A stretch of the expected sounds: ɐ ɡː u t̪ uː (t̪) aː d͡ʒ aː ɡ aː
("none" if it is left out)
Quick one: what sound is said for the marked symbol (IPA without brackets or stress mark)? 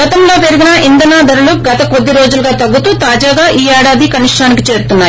t̪